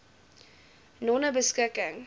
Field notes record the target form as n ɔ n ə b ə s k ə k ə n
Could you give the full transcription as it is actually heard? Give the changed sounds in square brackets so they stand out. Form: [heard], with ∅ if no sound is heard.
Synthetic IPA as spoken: n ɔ n ə b ə s k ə k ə [ŋ]